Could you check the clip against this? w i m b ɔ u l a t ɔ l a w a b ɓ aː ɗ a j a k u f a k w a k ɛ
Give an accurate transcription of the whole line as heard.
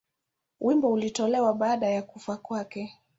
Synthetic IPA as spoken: w i m b ɔ u l i t ɔ l ɛ w a ɓ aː ɗ a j a k u f a k w a k ɛ

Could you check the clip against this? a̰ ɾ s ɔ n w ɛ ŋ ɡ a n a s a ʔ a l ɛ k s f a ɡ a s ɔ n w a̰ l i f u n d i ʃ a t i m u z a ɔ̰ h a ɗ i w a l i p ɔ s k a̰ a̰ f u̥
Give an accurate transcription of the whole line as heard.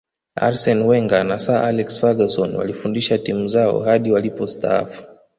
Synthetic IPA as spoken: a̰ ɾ s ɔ n w ɛ ŋ ɡ a n a s a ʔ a l ɛ k s f a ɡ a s ɔ n w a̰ l i f u n d i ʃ a t i m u z a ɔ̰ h a ɗ i w a l i p ɔ s t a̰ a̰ f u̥

